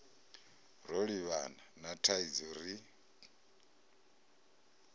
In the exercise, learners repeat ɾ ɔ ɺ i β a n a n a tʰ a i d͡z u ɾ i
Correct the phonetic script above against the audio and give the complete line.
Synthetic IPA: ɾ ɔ ɺ i β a n a n a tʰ a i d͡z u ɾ i